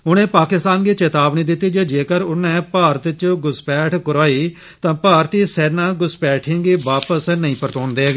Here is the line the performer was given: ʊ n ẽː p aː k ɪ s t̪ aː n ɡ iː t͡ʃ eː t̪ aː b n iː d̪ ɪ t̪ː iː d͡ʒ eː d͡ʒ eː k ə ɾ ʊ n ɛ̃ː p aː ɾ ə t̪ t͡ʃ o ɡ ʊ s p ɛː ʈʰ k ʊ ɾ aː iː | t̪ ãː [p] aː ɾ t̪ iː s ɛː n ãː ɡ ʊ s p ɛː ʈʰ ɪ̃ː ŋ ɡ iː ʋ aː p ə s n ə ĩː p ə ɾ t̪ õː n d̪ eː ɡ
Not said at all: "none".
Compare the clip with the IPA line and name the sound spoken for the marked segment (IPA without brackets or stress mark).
p